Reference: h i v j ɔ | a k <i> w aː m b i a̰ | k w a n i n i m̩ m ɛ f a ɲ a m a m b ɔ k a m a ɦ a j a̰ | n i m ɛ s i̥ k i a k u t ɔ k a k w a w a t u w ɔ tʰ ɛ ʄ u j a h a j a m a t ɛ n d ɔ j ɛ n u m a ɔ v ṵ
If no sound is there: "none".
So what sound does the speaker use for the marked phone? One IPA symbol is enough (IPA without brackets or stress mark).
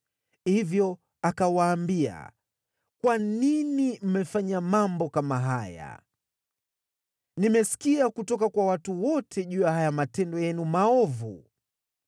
a